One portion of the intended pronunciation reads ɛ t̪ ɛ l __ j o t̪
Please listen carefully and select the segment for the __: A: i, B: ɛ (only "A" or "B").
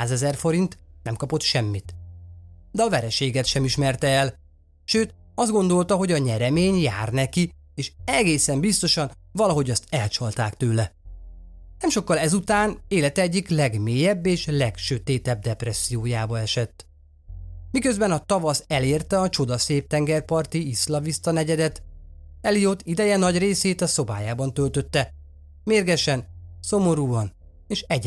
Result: A